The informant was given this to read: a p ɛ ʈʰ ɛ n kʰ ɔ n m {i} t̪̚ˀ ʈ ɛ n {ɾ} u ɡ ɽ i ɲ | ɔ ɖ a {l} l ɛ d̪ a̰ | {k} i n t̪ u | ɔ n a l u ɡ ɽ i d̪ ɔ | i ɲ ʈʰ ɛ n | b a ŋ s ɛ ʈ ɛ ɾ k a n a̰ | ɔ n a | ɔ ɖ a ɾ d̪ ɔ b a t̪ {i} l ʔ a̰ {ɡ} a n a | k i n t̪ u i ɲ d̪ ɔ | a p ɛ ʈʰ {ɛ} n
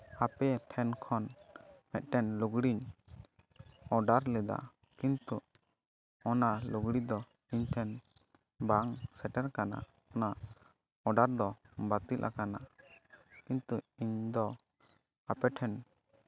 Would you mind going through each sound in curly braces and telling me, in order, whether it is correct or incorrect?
incorrect: ɛ, incorrect: l, incorrect: ɾ, correct, correct, incorrect: k, correct

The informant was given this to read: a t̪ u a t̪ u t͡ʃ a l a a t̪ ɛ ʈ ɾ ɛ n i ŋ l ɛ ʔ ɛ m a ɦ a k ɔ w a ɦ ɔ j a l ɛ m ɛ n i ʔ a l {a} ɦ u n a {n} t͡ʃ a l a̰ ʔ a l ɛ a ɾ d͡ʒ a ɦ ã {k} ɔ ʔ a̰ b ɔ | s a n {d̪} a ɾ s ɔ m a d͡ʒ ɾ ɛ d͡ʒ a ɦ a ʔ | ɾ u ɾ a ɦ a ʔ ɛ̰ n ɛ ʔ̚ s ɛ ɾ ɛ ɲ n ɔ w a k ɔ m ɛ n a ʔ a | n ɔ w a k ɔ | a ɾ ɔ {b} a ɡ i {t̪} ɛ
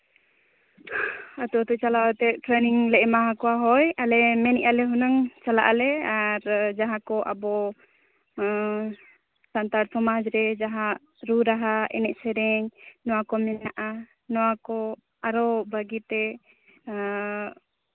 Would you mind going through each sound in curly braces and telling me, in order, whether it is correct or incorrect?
incorrect: ɛ, incorrect: ŋ, correct, incorrect: t̪, correct, correct

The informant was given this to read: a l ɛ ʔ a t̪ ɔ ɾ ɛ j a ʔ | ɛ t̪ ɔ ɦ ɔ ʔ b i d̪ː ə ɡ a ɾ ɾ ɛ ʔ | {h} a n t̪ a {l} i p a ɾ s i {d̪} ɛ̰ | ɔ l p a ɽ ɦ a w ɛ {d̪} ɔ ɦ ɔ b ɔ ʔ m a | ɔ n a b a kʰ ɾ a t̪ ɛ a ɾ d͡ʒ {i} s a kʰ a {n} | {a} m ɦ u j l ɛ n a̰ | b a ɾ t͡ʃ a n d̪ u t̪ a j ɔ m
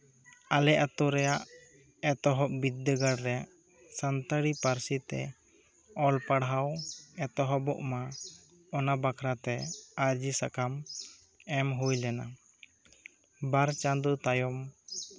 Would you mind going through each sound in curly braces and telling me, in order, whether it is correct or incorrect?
incorrect: s, incorrect: ɽ, incorrect: t̪, incorrect: t̪, correct, incorrect: m, incorrect: ɛ

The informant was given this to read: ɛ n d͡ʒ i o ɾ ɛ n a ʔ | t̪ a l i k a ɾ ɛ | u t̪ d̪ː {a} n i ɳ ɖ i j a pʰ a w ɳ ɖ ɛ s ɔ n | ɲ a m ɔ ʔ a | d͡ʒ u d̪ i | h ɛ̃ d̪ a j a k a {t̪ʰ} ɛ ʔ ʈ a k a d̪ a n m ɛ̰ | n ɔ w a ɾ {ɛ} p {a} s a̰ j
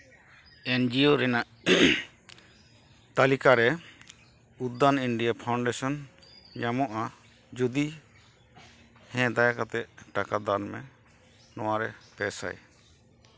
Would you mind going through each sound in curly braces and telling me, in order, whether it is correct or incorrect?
correct, incorrect: t̪, correct, incorrect: ɛ

